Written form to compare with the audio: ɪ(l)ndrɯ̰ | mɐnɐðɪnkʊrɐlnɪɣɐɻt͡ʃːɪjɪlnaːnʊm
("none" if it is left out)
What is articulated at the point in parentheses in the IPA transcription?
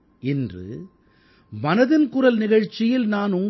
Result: none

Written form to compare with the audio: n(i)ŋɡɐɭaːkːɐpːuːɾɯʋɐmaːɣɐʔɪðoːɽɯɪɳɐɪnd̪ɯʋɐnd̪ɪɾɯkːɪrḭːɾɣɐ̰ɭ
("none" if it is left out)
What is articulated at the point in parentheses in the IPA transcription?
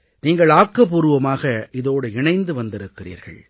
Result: iː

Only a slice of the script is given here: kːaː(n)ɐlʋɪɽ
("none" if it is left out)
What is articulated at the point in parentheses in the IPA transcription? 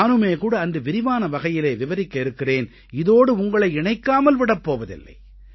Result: m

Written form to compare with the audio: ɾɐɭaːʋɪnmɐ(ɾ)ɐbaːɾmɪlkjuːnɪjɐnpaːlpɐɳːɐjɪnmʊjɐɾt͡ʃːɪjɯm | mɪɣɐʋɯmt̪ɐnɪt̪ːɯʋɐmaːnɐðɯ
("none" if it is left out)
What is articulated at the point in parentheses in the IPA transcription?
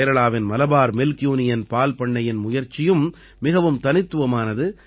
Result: l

